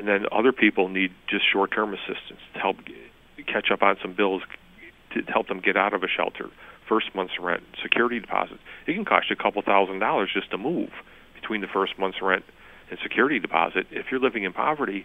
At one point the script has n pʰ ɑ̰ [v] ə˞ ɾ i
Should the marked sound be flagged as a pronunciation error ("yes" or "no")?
no